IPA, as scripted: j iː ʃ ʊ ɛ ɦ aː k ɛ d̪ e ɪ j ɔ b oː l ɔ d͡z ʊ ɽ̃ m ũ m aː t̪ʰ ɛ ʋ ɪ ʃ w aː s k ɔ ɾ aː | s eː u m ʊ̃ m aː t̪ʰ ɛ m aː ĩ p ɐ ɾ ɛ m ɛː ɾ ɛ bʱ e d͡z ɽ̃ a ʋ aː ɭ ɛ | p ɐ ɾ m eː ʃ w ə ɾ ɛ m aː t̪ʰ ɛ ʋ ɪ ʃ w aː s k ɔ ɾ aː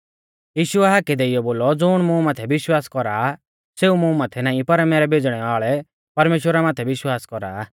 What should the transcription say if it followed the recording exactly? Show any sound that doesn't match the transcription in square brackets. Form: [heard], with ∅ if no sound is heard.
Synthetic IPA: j iː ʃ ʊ ɛ ɦ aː k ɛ d̪ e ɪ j ɔ b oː l ɔ d͡z ʊ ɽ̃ m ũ m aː t̪ʰ ɛ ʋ ɪ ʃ w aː s k ɔ ɾ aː | s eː u m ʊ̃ m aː t̪ʰ ɛ [n] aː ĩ p ɐ ɾ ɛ m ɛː ɾ ɛ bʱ e d͡z ɽ̃ [ɛ] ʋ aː ɭ ɛ | p ɐ ɾ m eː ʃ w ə ɾ [a] m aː t̪ʰ ɛ ʋ ɪ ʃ w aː s k ɔ ɾ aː